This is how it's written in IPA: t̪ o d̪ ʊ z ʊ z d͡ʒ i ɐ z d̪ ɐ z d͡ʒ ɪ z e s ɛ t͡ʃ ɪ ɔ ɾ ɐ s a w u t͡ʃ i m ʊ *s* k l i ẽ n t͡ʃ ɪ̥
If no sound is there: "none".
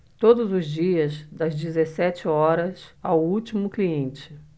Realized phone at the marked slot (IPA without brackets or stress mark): none